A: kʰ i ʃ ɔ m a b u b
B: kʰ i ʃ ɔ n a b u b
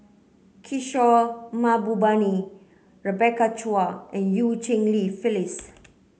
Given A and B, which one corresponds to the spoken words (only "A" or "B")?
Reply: A